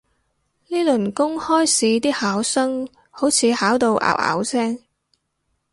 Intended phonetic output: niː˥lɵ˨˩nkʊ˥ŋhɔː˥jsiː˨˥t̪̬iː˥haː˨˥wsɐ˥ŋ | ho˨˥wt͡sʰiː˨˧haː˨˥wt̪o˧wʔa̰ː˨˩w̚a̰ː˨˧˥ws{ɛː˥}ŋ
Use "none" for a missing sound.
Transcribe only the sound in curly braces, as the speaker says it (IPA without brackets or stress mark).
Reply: ɛː˥